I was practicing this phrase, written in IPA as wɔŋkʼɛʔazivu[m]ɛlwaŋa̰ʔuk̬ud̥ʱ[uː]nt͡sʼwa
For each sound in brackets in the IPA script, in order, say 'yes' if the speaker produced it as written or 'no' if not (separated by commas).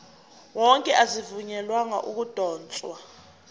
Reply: no, no